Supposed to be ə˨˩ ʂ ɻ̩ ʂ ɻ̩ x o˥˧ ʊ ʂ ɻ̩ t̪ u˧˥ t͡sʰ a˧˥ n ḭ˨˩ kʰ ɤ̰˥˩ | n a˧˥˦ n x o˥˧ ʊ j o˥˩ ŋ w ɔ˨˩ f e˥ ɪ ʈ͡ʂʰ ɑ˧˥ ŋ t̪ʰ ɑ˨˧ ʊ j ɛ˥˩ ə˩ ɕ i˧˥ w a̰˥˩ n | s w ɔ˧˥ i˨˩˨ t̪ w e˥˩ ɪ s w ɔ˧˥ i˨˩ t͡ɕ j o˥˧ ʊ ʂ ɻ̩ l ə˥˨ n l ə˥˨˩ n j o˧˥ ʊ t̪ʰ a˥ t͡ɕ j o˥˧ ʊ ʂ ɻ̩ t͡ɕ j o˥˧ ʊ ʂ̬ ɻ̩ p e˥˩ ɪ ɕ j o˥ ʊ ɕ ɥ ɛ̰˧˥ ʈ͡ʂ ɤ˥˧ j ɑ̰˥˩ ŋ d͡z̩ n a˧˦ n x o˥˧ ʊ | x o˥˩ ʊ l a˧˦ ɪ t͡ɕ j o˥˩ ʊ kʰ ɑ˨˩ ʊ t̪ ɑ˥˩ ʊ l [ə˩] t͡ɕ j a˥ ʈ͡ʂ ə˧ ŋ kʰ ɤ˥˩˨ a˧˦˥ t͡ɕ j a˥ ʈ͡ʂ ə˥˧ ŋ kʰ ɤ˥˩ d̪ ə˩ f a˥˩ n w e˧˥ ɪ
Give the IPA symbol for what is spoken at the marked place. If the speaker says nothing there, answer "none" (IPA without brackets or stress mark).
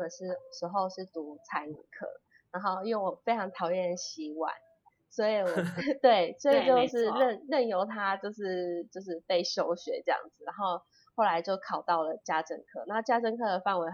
ə˩